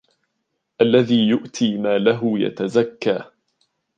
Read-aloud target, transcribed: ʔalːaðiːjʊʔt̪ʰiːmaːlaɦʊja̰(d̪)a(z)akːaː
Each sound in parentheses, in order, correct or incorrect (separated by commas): incorrect, correct